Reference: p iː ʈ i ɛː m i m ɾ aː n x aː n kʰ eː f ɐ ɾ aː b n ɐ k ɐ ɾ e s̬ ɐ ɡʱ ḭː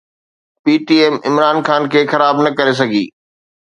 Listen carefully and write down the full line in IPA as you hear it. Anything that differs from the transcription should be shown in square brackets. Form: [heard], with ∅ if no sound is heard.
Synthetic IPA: p iː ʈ i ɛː m [ɪ] m ɾ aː n x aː n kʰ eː [x] ɐ ɾ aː b n ɐ k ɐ ɾ e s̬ ɐ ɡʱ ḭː